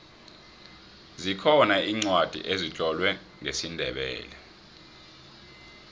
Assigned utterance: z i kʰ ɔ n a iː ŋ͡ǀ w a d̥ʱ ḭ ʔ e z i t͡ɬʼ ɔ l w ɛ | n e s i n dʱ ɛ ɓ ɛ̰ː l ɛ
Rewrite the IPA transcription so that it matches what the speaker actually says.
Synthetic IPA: z i kʰ ɔ n a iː ŋ͡ǀ w a d̥ʱ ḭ ʔ e z i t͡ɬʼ ɔ l w ɛ | ŋ e s i n dʱ ɛ ɓ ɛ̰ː l ɛ